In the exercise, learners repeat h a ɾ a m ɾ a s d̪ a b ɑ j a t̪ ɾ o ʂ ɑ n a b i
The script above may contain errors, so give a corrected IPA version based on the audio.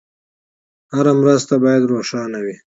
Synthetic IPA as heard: h a ɾ a m ɾ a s t̪ a b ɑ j a d̪ ɾ o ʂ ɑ n a w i